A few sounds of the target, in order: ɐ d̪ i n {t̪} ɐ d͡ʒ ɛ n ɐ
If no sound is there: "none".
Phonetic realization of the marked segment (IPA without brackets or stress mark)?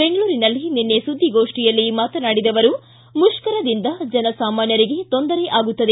d̪